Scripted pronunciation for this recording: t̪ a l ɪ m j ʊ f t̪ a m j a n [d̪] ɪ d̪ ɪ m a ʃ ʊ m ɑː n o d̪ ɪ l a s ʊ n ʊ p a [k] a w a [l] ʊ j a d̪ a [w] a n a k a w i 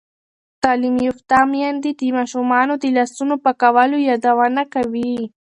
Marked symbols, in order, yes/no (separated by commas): yes, yes, yes, yes